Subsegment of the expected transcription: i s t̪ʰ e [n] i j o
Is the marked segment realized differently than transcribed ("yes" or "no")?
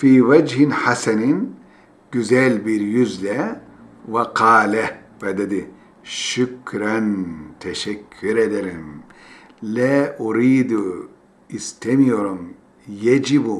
yes